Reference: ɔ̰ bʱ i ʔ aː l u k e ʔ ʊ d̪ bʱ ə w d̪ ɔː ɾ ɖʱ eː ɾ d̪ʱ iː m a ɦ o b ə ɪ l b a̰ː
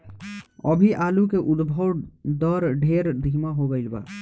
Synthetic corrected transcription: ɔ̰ bʱ i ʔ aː l u k e ʔ ʊ d̪ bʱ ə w d̪ ɔː ɾ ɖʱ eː ɾ d̪ʱ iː m a ɦ o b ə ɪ l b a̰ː